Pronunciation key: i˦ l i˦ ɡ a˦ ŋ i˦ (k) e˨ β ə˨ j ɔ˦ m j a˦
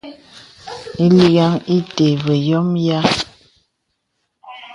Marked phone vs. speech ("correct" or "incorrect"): incorrect